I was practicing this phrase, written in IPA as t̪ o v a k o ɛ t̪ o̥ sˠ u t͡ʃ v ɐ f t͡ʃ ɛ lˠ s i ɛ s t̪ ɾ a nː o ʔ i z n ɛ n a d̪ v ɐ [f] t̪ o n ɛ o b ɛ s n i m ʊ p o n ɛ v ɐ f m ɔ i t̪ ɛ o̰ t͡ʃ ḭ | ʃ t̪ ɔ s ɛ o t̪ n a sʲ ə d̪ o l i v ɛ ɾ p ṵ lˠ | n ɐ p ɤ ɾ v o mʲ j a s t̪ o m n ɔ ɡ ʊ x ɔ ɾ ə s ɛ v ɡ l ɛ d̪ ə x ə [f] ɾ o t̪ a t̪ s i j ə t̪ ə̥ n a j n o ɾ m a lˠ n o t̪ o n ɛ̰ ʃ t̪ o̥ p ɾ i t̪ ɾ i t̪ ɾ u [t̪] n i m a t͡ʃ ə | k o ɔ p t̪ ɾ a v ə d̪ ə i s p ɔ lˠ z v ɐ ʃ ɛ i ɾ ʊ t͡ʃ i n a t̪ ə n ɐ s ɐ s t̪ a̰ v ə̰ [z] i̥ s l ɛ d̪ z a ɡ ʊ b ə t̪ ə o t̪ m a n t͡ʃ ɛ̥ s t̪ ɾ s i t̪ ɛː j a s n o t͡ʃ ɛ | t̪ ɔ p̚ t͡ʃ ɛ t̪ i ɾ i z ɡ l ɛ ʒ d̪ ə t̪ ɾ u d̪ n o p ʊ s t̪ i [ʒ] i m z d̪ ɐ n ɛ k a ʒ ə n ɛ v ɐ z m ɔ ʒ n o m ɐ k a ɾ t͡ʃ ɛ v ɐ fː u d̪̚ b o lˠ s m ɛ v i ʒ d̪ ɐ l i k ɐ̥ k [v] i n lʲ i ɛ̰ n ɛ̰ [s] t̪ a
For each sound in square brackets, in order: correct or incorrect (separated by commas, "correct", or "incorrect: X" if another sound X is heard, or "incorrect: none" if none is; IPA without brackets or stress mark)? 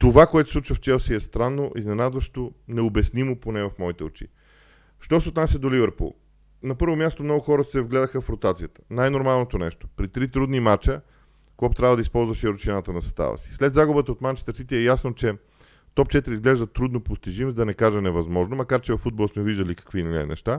incorrect: ʃ, correct, incorrect: d̪, incorrect: s, correct, correct, incorrect: ʃ